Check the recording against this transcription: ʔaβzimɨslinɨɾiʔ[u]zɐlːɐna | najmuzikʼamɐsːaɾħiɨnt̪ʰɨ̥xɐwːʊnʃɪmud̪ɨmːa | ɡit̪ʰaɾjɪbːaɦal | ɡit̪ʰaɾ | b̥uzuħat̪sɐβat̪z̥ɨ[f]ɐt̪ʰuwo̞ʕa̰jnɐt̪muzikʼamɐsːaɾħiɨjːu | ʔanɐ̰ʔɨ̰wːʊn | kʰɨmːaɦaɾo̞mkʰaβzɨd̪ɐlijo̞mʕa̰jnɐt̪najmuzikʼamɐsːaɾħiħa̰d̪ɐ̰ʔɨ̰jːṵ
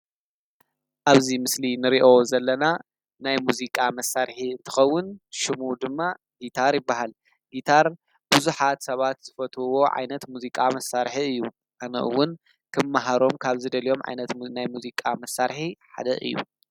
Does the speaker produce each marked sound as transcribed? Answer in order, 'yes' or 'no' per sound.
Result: no, yes

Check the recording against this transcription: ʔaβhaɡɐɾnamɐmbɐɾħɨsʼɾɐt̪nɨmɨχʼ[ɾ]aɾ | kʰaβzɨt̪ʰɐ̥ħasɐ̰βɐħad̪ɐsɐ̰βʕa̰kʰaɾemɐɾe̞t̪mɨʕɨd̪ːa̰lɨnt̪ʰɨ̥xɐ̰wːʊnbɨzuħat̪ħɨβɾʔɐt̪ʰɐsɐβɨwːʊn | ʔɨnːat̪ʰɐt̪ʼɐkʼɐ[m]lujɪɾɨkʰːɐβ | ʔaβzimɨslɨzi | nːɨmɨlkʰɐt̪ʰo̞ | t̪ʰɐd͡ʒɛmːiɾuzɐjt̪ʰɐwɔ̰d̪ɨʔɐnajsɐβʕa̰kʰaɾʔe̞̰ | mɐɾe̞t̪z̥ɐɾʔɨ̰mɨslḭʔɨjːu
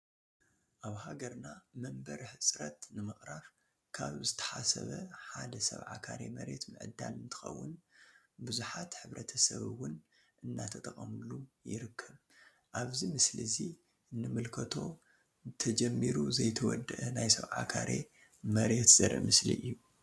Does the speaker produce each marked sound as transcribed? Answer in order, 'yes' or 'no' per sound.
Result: yes, yes

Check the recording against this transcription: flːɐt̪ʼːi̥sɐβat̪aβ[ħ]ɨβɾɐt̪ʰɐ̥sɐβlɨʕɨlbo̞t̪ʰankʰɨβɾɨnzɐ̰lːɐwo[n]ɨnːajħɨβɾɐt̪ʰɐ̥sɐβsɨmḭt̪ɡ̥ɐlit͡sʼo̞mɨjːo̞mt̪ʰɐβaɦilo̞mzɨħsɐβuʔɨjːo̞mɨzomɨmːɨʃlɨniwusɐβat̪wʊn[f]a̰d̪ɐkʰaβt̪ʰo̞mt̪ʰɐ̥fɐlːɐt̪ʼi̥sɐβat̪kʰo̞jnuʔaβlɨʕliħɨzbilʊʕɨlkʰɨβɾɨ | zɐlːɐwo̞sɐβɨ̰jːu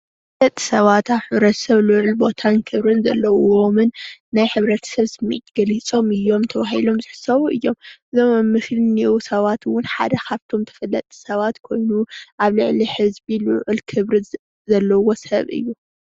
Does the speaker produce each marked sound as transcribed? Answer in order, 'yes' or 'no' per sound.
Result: yes, no, no

